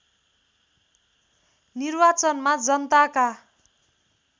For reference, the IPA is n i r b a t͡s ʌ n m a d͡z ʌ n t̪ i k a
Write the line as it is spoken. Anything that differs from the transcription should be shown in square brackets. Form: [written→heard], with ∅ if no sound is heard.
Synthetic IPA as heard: n i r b a t͡s ʌ n m a d͡z ʌ n t̪ [i→a] k a